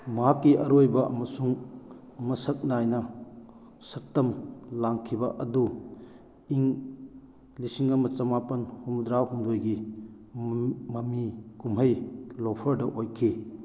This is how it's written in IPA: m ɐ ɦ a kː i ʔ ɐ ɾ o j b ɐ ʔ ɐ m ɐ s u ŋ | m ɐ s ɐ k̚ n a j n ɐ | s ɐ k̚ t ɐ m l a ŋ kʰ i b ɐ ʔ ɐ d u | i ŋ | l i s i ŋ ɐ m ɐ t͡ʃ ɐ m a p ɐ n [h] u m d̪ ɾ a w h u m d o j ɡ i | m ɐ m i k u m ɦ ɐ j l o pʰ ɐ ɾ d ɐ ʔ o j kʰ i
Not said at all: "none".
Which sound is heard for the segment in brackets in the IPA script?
h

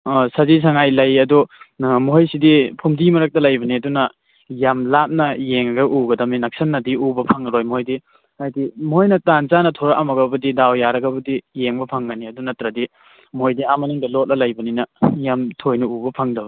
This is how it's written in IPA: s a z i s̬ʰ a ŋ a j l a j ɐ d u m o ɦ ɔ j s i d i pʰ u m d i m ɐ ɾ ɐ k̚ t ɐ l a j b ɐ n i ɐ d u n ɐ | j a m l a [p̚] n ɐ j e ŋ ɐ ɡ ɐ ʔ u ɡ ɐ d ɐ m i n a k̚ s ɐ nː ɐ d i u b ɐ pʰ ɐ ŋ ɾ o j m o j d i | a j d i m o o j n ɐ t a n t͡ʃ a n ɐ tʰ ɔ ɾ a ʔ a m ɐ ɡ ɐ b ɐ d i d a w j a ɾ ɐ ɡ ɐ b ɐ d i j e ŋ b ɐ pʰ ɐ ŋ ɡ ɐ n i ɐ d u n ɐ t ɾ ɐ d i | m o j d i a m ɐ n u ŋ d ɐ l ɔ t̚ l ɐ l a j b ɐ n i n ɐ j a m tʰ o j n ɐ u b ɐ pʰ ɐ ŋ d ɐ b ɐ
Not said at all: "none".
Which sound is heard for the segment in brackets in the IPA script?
p̚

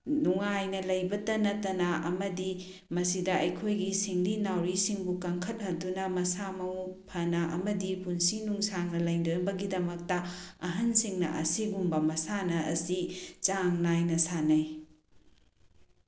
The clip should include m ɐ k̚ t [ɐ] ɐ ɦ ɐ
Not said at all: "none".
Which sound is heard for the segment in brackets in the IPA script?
ɐ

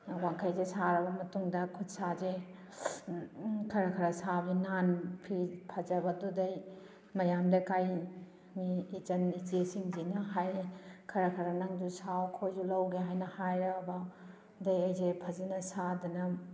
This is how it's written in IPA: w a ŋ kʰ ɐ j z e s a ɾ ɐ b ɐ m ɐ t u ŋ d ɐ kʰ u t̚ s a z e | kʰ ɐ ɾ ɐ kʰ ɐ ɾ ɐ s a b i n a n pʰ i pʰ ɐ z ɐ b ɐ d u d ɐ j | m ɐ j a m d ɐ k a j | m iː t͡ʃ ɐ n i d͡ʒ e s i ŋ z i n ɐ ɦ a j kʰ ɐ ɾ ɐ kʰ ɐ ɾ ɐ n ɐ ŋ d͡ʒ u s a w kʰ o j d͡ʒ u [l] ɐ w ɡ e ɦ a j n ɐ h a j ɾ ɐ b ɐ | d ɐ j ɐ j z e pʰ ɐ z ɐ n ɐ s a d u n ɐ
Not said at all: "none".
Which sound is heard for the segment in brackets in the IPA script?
l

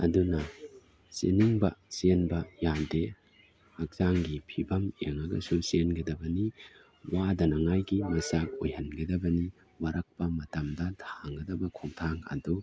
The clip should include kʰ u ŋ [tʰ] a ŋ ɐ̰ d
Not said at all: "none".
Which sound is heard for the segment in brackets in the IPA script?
tʰ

